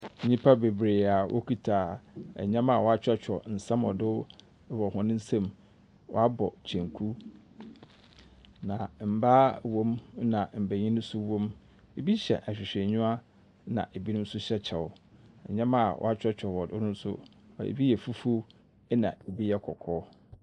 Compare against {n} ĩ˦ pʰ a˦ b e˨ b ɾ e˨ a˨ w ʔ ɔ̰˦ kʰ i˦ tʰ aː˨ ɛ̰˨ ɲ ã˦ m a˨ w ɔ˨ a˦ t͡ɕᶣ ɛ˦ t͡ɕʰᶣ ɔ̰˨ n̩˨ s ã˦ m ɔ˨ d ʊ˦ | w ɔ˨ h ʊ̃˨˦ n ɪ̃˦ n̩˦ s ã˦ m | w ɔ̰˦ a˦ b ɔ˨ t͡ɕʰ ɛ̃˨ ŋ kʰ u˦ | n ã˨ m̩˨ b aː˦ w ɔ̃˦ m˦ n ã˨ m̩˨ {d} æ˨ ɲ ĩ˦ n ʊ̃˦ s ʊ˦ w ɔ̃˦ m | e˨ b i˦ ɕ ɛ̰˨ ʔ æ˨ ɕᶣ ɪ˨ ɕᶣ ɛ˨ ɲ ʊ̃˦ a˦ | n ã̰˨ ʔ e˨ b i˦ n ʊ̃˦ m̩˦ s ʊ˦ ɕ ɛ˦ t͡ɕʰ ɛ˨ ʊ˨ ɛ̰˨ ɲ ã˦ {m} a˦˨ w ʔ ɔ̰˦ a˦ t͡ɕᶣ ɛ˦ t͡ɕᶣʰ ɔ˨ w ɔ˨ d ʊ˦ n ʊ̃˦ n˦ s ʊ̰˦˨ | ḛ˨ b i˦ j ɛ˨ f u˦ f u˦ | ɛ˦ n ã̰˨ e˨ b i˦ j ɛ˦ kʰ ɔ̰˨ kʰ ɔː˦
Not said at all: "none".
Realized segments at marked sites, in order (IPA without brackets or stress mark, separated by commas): ɲ, b, m